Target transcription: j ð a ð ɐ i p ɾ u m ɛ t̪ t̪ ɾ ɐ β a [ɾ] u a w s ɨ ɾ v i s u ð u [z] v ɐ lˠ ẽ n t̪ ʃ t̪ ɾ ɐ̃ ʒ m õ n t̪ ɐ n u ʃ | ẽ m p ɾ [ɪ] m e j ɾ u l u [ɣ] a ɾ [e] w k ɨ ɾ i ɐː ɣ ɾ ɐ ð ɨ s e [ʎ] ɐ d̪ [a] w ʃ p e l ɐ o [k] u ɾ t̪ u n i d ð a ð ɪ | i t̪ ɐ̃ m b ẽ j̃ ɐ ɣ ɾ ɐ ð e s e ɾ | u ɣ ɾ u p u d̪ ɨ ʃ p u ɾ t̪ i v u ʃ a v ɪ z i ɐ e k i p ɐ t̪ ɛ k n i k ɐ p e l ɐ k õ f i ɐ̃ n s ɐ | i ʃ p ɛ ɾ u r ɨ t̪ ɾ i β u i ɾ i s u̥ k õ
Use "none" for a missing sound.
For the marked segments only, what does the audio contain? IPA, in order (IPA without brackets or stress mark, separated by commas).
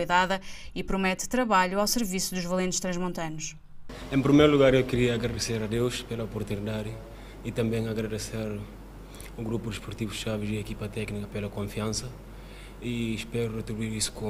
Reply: ʎ, ʒ, i, ɣ, e, ɾ, e, p